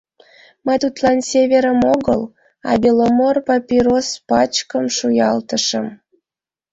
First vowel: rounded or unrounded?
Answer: unrounded